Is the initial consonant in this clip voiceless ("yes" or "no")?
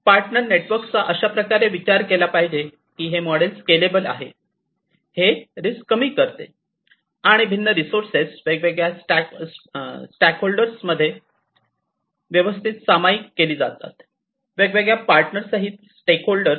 yes